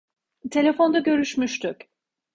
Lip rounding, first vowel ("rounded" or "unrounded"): unrounded